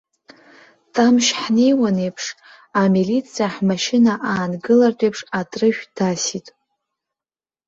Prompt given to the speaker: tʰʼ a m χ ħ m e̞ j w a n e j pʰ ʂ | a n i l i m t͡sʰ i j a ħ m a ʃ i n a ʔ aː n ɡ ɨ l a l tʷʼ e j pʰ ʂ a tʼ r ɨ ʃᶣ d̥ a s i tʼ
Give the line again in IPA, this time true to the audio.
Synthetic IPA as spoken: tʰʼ a m ʃ ħ n e̞ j w a n e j pʰ ʂ | a m i l i t͡sʰ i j a ħ m a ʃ ɪ n a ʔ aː n ɡ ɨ l a r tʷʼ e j pʰ ʂ a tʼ r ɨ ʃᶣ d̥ a s i tʼ